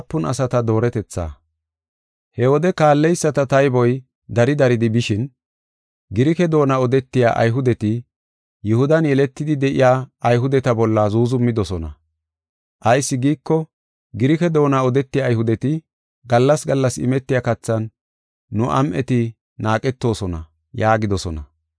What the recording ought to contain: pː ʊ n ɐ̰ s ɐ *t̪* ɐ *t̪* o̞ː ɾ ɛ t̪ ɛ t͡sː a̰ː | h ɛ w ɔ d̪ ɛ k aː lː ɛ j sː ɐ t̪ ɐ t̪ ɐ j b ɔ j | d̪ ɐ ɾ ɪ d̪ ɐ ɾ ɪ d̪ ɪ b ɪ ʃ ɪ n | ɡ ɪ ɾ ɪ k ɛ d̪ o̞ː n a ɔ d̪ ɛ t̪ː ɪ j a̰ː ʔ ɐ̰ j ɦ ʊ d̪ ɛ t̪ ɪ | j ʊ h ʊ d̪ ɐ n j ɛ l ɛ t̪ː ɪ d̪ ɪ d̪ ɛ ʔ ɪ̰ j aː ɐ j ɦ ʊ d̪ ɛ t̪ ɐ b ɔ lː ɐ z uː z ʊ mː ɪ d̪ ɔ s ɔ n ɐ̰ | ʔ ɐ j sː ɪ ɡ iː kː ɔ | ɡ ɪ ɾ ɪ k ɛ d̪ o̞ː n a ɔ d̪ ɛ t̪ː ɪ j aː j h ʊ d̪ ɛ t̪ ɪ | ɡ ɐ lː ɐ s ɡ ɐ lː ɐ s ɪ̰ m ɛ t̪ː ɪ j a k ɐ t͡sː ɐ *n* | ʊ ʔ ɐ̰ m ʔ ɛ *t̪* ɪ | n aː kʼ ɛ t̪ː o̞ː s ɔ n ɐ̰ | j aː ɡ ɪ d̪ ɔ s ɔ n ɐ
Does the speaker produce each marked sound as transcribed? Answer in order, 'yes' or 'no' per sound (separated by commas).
yes, no, no, yes